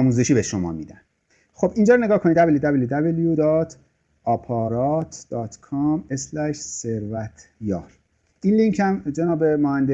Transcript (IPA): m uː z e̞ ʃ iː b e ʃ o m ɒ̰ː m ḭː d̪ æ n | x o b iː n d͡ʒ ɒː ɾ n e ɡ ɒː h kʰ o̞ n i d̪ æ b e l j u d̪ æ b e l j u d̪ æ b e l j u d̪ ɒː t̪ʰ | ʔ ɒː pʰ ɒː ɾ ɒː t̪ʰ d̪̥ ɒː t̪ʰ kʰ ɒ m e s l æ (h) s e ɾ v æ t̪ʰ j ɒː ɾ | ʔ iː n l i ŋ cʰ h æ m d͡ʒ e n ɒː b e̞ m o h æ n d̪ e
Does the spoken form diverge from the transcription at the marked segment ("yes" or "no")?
yes